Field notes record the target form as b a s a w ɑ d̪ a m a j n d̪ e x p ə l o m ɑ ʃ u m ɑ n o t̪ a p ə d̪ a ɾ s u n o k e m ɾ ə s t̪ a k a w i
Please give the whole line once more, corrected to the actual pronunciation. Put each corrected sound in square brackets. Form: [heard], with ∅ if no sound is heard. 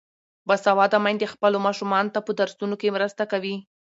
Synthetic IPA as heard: b a s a w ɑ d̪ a m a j n d̪ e x p ə l o m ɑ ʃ u m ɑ n o t̪ a p ə d̪ a ɾ s u n o k e m ɾ ə s t̪ a k a w i